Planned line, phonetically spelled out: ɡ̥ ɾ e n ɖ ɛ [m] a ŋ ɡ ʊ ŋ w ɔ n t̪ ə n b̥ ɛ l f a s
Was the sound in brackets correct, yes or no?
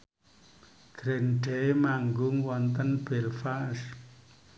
yes